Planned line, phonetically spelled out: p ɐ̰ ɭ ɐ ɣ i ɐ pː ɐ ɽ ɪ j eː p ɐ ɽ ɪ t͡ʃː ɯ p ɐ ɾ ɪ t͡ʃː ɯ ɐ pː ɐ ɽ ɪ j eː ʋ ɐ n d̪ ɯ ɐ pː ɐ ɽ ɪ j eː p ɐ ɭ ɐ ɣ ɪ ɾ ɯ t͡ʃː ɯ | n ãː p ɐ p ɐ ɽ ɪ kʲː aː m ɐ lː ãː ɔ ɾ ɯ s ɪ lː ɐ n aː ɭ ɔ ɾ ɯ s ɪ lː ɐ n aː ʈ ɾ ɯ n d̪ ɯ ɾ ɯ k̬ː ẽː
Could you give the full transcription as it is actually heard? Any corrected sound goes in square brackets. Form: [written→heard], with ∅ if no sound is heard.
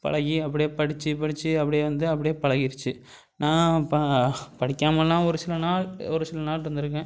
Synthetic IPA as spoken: p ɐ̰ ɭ ɐ ɣ i ɐ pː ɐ ɽ ɪ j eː p ɐ ɽ ɪ t͡ʃː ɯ p ɐ [ɾ→ɽ] ɪ t͡ʃː ɯ ɐ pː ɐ ɽ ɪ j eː ʋ ɐ n d̪ ɯ ɐ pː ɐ ɽ ɪ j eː p ɐ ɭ ɐ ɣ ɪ ɾ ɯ t͡ʃː ɯ | n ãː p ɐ p ɐ ɽ ɪ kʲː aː m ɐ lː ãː ɔ ɾ ɯ s ɪ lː ɐ n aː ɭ ɔ ɾ ɯ s ɪ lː ɐ n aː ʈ ɾ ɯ n d̪ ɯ ɾ ɯ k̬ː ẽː